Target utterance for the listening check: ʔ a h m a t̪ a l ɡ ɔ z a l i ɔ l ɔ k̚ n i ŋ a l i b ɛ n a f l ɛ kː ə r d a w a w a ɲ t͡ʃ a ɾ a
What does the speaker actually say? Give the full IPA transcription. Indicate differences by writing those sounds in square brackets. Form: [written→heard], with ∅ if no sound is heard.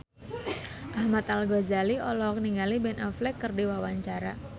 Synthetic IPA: ʔ a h m a t̪ a l ɡ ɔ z a l i ɔ l ɔ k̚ n i ŋ a l i b ɛ n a f l ɛ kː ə r d [a→i] w a w a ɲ t͡ʃ a ɾ a